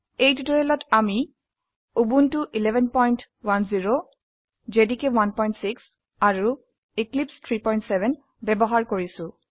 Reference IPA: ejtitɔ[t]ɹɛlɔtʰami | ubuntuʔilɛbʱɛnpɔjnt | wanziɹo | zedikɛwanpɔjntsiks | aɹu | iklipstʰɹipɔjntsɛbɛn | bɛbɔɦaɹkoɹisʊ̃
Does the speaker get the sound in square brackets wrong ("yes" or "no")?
yes